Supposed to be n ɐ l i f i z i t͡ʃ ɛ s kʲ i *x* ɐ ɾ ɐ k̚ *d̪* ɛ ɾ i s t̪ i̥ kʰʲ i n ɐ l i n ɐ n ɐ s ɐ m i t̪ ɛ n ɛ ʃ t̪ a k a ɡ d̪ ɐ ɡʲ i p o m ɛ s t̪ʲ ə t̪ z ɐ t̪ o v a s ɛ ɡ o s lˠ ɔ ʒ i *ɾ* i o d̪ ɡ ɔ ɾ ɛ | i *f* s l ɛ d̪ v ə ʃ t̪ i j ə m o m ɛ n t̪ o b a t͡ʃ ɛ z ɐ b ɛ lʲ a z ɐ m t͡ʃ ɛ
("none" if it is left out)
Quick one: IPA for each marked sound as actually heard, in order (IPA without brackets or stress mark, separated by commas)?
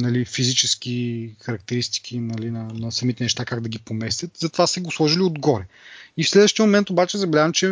x, t̪, l, f